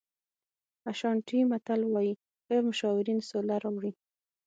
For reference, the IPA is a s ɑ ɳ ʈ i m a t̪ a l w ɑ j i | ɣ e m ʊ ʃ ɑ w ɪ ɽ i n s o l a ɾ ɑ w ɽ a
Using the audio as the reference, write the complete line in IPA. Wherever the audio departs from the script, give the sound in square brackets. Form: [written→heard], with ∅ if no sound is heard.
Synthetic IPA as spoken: a [s→ʃ] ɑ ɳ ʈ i m a t̪ a l w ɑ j i | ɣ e m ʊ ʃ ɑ w ɪ [ɽ→ɾ] i n s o l a ɾ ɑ w ɽ [a→i]